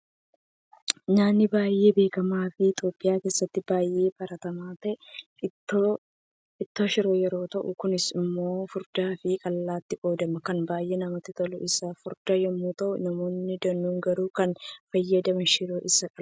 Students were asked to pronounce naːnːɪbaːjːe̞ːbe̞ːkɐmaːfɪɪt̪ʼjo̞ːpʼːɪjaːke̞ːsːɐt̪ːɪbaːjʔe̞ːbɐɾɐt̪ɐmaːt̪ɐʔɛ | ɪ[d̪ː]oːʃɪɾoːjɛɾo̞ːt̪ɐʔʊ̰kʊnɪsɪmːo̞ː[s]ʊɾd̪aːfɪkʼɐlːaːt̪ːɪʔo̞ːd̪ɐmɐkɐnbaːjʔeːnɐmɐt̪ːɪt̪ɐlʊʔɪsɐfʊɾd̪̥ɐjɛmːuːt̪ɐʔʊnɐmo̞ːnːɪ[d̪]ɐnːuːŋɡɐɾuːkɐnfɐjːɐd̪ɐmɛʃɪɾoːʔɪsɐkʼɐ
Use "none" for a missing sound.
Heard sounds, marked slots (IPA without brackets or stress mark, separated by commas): t̪ː, f, d̪